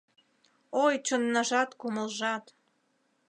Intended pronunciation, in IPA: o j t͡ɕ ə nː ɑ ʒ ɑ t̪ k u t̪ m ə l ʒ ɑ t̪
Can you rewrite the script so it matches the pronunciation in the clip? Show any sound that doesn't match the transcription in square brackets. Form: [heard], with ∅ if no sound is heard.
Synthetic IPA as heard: o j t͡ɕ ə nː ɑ ʒ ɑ t̪ k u [∅] m ə l ʒ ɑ t̪

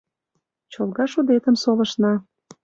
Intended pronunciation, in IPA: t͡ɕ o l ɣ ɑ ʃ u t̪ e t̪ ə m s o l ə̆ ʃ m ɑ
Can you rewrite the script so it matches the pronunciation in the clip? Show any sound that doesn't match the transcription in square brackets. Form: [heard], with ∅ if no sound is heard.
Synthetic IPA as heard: t͡ɕ o l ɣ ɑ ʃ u [d̪] e t̪ ə m s o l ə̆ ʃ [n] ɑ

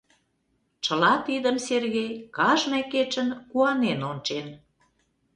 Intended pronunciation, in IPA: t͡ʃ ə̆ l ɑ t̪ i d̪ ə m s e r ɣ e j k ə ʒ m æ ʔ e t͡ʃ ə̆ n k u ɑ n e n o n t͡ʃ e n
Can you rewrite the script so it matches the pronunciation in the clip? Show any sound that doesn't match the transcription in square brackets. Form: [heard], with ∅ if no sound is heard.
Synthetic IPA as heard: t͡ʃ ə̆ l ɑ t̪ i d̪ ə m s e r ɣ e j k [ɑ] ʒ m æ [k] e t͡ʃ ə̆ n k u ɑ n e n o n t͡ʃ e n

